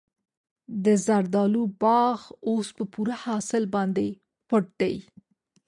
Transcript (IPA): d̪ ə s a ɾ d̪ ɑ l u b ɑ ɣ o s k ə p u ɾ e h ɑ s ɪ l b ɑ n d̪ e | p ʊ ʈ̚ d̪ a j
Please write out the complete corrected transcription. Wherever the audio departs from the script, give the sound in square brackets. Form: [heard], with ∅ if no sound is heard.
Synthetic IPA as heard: d̪ ə [z] a ɾ d̪ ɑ l u b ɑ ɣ o s [p] ə p u ɾ [a] h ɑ s ɪ l b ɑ n d̪ e | p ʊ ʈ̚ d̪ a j